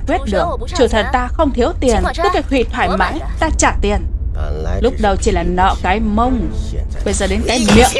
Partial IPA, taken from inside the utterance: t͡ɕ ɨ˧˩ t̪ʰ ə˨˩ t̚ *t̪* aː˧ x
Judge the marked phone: correct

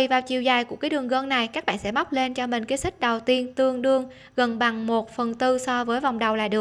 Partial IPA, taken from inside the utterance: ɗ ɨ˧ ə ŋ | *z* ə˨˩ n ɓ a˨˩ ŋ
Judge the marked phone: incorrect: ɣ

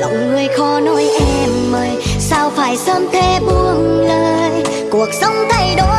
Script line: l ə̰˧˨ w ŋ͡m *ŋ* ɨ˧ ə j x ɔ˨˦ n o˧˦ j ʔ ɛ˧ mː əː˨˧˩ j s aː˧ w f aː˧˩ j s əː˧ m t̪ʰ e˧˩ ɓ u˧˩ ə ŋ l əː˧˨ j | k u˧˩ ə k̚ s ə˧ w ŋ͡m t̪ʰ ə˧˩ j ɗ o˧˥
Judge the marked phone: correct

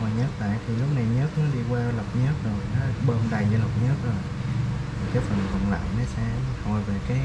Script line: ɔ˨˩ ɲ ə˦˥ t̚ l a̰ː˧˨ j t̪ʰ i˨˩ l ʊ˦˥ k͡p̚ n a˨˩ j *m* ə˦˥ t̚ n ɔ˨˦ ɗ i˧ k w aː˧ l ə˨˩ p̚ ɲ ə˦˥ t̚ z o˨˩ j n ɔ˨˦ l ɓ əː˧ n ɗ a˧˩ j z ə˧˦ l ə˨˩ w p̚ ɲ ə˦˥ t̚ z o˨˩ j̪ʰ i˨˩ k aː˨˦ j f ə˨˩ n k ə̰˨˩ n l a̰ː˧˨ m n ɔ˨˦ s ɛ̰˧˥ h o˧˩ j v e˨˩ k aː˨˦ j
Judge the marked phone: incorrect: ɲ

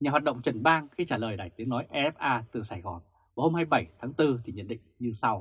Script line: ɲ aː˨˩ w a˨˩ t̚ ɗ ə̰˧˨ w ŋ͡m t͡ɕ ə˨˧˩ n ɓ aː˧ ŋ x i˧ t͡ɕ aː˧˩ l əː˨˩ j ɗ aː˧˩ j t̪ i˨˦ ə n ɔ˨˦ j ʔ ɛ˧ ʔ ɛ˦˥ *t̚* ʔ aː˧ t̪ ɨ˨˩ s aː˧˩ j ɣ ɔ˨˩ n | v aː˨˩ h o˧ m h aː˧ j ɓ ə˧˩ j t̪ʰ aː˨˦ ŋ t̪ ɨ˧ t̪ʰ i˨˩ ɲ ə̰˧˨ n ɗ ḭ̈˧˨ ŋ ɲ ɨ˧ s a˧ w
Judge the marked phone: incorrect: p̚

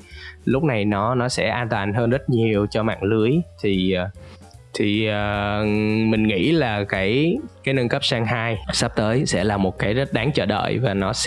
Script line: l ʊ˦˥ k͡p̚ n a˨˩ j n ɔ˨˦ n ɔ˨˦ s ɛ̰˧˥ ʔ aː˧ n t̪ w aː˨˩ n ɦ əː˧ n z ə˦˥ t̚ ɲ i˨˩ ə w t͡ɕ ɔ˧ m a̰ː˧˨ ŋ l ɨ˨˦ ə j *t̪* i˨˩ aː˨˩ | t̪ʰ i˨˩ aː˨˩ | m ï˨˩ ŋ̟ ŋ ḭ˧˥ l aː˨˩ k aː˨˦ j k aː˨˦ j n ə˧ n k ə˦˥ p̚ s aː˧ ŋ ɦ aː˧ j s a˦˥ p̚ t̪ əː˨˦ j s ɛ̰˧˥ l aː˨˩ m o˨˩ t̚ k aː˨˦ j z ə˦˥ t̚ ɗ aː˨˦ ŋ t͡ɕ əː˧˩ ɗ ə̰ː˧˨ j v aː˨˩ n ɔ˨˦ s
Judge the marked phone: incorrect: t̪ʰ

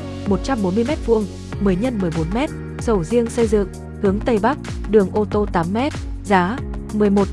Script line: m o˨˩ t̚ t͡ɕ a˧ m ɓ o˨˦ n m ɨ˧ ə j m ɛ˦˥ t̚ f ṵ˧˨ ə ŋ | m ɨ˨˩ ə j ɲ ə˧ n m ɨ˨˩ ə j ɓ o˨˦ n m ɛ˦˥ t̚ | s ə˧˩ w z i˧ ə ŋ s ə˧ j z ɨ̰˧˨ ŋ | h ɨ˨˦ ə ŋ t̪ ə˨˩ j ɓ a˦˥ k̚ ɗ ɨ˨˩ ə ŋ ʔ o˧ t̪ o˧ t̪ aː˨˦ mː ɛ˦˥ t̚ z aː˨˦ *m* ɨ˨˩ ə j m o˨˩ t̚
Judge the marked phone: correct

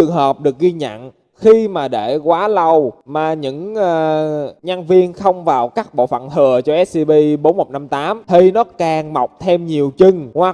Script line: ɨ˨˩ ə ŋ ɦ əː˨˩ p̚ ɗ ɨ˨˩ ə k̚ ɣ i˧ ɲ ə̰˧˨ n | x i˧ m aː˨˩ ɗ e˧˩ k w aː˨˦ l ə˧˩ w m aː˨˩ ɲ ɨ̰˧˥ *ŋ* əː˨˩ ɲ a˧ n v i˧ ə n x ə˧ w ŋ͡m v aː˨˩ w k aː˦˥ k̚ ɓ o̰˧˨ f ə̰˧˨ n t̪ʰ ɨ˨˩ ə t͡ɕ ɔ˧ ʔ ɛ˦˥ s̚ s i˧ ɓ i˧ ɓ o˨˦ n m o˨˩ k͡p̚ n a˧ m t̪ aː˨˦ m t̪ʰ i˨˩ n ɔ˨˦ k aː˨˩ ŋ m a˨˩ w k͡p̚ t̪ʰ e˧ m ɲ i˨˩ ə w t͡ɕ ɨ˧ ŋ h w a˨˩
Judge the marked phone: correct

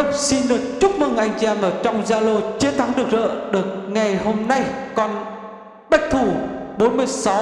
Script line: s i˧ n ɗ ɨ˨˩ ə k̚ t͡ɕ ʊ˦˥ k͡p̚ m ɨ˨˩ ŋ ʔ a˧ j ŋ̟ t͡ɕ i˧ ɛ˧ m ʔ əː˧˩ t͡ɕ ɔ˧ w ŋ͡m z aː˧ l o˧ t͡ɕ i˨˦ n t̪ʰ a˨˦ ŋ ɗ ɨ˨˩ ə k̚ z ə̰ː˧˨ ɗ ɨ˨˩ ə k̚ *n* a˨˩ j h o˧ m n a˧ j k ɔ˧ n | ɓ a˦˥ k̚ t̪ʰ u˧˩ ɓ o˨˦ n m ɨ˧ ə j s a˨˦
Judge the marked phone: incorrect: ŋ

